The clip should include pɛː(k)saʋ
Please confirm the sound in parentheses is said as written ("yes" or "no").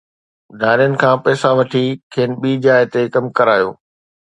no